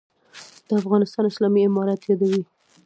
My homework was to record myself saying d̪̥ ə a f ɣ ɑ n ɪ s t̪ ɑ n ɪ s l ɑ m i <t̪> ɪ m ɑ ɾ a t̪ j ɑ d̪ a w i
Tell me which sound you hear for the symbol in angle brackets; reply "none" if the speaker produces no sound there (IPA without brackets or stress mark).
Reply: none